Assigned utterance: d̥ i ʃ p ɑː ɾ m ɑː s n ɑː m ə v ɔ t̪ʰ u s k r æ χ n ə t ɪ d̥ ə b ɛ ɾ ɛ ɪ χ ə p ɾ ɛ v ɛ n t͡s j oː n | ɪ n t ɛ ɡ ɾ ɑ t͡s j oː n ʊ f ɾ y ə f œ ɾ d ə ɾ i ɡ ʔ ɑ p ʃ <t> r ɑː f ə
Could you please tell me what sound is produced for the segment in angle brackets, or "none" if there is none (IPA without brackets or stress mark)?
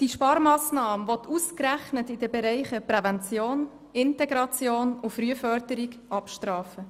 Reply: t